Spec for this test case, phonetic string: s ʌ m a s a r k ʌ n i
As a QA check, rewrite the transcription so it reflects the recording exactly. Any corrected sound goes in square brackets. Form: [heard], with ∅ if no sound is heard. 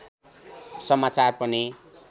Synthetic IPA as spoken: s ʌ m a [t͡s] a r [p] ʌ n i